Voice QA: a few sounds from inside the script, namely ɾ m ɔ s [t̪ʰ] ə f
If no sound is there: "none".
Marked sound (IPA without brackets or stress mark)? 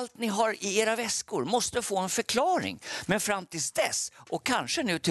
t̪